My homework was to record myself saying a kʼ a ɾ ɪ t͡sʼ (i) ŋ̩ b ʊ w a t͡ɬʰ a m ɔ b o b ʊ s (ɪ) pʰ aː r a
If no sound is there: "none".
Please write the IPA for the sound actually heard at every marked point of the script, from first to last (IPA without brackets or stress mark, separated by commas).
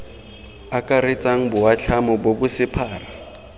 a, ɪ